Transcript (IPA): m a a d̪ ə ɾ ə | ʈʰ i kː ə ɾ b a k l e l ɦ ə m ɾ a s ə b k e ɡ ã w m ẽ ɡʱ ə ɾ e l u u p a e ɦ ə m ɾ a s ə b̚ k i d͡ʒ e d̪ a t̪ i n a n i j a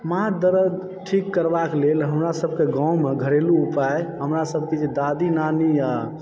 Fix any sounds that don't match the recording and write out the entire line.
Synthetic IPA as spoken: m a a d̪ ə ɾ ə | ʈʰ i kː ə ɾ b a k l e l ɦ ə m ɾ a s ə b k e ɡ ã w m e ɡʱ ə ɾ e l u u p a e ɦ ə m ɾ a s ə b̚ k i d͡ʒ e d̪ a d̪ i n a n i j a

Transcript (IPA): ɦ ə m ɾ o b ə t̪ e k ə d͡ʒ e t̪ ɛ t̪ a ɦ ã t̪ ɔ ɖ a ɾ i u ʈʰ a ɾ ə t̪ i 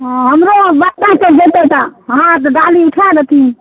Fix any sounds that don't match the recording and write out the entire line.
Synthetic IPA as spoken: ɦ ə m ɾ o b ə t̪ a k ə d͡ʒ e t̪ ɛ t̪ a ɦ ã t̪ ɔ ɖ a l i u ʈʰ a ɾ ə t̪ i

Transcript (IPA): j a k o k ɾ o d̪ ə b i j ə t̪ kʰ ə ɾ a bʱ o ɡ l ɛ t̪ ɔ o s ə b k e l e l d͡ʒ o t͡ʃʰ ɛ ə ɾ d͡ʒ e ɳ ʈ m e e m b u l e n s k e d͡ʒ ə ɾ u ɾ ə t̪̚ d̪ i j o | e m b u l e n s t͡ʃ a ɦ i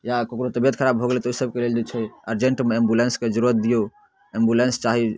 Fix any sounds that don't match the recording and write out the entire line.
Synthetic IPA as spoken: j a k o k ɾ o t̪ ə b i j ə t̪ kʰ ə ɾ a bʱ o ɡ l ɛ t̪ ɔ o s ə b k e l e l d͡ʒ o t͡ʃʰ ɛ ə ɾ d͡ʒ e ɳ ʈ m e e m b u l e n s k e d͡ʒ ə ɾ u ɾ ə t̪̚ d̪ i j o | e m b u l e n s t͡ʃ a ɦ i

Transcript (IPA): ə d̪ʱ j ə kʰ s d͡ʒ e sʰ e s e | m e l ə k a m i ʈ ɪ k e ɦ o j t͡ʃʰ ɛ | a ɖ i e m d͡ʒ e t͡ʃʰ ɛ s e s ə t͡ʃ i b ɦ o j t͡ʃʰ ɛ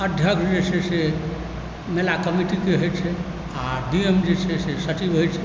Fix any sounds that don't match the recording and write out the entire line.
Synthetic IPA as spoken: ə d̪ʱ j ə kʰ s d͡ʒ e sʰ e s e | m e l a k ə m i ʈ i k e ɦ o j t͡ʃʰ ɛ | a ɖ i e m d͡ʒ e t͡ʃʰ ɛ s e s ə t͡ʃ i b ɦ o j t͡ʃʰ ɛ

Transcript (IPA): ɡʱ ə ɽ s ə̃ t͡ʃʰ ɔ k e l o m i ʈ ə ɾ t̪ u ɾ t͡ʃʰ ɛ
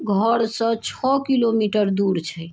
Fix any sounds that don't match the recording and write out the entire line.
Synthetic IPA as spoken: ɡʱ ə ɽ s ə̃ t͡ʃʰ ɔ k i l o m i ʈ ə ɾ d̪ u ɾ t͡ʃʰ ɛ

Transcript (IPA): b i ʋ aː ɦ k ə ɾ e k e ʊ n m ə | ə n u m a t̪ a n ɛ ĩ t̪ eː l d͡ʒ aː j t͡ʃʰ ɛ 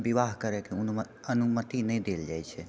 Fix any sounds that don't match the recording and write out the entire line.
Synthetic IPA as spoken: b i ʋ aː ɦ k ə ɾ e k e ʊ n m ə | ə n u m ə t̪ i n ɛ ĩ d̪ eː l d͡ʒ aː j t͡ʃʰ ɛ

